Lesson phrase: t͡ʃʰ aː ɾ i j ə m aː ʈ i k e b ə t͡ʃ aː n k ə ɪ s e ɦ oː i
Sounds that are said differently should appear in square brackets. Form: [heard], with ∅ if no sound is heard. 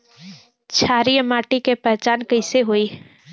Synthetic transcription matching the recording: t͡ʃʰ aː ɾ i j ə m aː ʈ i k e [p] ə t͡ʃ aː n k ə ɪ s e ɦ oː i